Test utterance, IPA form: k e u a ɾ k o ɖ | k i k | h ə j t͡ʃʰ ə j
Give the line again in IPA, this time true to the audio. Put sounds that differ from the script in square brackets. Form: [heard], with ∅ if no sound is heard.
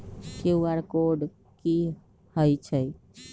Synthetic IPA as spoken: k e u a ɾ k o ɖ | k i [∅] | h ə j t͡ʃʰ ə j